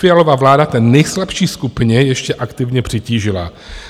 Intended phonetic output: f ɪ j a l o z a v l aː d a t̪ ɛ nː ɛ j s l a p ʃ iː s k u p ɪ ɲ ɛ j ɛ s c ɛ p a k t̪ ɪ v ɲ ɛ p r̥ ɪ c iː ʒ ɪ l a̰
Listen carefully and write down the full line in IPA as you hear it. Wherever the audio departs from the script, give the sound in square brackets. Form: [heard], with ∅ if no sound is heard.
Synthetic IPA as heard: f ɪ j a l o [v] a v l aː d a t̪ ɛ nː ɛ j s l a p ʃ iː s k u p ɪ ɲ ɛ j ɛ [ʃ] c ɛ [ʔ] a k t̪ ɪ v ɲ ɛ p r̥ ɪ c iː ʒ ɪ l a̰